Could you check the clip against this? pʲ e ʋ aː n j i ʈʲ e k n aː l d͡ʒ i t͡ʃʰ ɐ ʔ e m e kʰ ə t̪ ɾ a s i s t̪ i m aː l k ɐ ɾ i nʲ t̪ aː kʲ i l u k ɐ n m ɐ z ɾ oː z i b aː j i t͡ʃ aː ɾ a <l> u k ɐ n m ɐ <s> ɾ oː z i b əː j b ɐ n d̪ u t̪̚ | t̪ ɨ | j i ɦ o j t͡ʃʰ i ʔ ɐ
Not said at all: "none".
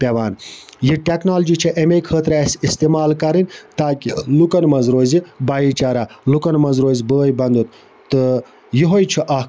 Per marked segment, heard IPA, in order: l, z

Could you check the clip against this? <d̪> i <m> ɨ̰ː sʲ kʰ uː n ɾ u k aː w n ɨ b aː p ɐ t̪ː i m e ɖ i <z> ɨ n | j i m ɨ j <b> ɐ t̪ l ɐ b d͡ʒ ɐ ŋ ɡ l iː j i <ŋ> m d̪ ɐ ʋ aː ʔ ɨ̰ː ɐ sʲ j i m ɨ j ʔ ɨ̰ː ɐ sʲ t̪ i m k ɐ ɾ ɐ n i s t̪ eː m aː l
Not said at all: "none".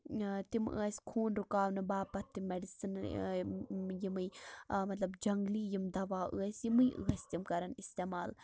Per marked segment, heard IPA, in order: t̪, m, s, m, none

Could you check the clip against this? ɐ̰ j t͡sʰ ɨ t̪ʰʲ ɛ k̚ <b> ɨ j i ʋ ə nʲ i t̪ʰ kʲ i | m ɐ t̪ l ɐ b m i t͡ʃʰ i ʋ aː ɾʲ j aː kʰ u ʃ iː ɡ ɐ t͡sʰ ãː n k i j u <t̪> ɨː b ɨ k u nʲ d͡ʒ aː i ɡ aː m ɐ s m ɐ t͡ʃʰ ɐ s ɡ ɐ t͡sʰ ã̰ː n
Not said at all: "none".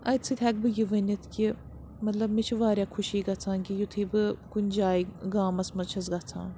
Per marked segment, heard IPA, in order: b, t̪ʰ

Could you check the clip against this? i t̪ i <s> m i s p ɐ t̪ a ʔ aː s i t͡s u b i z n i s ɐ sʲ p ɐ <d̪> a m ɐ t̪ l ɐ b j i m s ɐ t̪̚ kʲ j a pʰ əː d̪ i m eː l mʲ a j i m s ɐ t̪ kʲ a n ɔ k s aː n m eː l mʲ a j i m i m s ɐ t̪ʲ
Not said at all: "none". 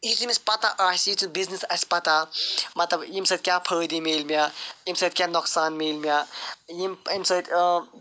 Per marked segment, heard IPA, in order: none, t̪

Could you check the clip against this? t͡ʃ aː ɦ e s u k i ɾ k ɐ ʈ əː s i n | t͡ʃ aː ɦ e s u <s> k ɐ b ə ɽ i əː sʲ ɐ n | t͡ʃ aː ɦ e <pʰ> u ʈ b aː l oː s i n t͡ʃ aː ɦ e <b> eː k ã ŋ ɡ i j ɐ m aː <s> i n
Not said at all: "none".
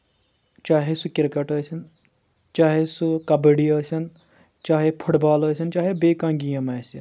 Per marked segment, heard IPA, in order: none, pʰ, b, s

